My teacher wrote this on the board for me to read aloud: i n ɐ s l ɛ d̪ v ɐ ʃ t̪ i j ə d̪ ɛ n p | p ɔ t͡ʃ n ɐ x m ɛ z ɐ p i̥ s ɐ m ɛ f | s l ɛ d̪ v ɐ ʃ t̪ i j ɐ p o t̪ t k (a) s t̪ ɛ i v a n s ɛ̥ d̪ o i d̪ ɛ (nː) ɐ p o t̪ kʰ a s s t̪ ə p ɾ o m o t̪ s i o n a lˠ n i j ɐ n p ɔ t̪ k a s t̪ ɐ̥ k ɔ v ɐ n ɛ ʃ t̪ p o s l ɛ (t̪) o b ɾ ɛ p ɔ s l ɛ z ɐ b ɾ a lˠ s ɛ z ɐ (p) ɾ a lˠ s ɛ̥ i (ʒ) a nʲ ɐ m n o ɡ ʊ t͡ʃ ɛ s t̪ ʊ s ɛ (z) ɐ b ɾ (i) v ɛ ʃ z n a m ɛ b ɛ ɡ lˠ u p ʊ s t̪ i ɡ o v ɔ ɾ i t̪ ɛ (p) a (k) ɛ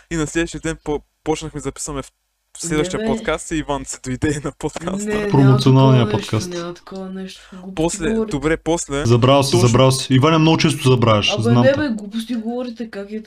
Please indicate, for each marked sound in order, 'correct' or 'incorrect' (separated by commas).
correct, incorrect, incorrect, incorrect, incorrect, correct, incorrect, incorrect, correct